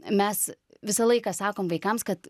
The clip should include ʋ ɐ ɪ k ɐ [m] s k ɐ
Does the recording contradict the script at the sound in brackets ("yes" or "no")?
no